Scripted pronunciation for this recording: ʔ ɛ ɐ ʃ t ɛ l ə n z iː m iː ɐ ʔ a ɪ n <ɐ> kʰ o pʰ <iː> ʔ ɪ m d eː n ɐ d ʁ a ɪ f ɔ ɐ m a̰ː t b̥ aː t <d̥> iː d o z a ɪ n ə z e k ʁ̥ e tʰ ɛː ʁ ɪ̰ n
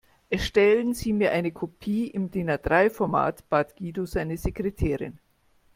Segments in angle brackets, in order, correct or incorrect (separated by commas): incorrect, correct, incorrect